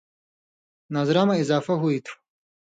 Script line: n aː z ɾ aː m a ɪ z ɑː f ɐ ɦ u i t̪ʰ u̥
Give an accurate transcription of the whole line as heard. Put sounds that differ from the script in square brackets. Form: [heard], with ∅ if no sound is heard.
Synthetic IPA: n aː z ɾ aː m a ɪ z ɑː f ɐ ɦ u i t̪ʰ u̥